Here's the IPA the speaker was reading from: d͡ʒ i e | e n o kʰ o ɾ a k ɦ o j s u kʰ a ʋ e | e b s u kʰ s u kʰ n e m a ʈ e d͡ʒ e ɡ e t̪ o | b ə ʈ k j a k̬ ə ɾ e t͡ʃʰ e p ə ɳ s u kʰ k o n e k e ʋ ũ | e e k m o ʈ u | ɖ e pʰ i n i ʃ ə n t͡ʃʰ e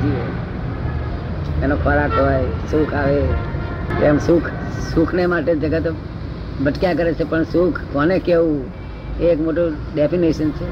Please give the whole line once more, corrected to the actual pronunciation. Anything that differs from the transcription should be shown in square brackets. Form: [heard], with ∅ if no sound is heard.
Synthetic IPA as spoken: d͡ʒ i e | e n o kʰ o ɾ a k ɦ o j s u kʰ a ʋ e | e [m] s u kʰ s u kʰ n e m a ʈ e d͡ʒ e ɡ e t̪ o | b ə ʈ k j a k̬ ə ɾ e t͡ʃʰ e p ə ɳ s u kʰ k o n e k e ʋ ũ | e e k m o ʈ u | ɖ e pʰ i n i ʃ ə n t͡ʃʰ e